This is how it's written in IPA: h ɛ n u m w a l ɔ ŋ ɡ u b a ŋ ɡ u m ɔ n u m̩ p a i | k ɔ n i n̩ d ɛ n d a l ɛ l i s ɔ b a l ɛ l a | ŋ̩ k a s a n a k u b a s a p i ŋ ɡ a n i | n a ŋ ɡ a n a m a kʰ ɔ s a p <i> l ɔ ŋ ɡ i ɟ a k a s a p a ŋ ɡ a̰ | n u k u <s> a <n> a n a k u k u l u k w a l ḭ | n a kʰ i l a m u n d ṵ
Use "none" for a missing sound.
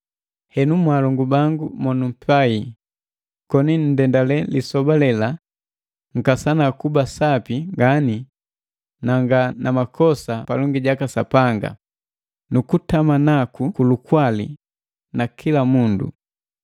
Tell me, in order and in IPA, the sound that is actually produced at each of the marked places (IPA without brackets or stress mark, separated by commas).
a, t, m